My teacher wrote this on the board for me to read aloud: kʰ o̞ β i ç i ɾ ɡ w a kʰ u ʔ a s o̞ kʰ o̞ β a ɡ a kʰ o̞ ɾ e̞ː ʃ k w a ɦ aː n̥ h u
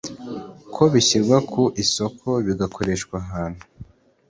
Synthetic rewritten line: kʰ o̞ β i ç i ɾ ɡ w a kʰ u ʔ i s o̞ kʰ o̞ β i ɡ a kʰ o̞ ɾ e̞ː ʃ k w a ɦ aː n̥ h u